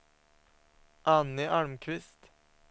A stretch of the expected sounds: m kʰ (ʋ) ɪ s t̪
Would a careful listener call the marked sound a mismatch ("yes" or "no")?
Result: no